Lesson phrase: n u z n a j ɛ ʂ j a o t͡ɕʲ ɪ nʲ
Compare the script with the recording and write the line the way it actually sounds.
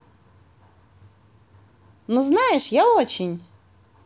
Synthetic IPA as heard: n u z n a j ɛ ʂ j a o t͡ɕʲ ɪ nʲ

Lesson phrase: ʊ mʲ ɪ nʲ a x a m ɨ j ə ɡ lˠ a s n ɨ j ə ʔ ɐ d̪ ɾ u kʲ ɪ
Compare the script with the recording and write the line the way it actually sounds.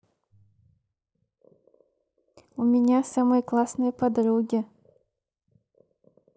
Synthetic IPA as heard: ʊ mʲ ɪ nʲ a s a m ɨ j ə k lˠ a s n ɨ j ə p ɐ d̪ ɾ u ɡʲ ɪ

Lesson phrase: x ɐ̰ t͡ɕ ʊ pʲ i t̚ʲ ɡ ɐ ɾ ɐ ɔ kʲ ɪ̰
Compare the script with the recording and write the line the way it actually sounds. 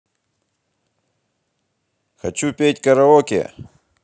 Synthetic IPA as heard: x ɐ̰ t͡ɕ u pʲ e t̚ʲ k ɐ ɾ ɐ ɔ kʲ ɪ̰

